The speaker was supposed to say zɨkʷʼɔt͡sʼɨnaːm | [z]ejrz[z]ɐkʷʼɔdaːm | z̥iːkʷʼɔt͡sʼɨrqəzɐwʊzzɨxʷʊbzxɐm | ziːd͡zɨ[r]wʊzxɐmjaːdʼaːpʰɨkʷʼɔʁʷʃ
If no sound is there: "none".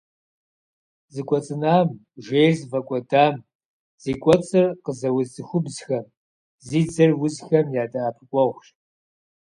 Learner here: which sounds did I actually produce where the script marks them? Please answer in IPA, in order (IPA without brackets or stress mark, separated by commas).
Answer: ʒ, v, r